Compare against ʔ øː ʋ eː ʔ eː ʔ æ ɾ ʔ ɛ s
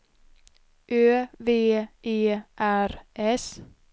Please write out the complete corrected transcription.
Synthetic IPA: ʔ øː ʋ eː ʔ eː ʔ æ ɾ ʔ ɛ s